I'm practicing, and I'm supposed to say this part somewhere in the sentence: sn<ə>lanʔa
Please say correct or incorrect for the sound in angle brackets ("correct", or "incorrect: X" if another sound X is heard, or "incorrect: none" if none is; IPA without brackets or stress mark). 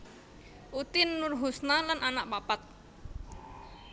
incorrect: a